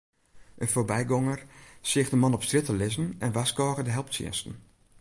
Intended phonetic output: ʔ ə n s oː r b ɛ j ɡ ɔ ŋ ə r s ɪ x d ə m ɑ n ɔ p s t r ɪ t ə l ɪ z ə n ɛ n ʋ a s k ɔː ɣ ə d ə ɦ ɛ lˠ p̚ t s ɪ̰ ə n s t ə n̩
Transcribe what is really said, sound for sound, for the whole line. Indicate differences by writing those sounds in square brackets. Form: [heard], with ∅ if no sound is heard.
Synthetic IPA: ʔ ə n [f] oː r b ɛ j ɡ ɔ ŋ ə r s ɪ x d ə m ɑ n ɔ p s t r ɪ t ə l ɪ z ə n ɛ n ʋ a s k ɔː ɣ ə d ə ɦ ɛ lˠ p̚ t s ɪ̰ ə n s t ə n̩